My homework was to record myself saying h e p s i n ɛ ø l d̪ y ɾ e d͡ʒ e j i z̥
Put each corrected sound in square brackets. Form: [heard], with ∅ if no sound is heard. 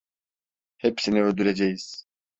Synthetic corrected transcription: h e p s i n [i] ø l d̪ y ɾ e d͡ʒ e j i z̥